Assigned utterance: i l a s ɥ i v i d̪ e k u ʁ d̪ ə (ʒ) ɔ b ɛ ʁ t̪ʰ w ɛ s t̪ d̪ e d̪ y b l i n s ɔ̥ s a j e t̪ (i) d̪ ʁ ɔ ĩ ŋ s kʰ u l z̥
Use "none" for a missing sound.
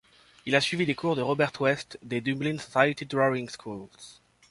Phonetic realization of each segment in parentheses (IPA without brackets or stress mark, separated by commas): ʁ, i